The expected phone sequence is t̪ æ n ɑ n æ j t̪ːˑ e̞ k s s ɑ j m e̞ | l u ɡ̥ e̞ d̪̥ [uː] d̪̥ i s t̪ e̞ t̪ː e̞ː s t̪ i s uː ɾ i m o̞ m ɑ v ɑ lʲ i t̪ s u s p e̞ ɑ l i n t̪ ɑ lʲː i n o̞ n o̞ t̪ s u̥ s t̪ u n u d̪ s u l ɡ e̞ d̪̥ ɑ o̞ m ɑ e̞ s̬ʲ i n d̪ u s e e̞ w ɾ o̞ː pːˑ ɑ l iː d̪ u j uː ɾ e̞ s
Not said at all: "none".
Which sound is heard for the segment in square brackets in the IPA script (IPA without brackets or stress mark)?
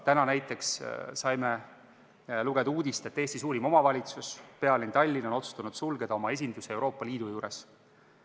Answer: uː